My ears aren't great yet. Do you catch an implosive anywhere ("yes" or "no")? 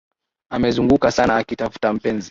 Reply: no